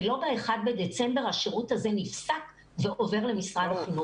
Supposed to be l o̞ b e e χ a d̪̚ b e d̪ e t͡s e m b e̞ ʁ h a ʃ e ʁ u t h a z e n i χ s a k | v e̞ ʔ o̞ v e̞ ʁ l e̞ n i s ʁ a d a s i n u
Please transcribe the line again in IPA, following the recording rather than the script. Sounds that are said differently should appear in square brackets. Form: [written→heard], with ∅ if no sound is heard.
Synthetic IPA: l o̞ b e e χ a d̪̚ b e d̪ e t͡s e m b e̞ ʁ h a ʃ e ʁ u t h a z e n i [χ→f] s a k | v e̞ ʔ o̞ v e̞ ʁ l e̞ [n→m] i s ʁ a d a [s→χ] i n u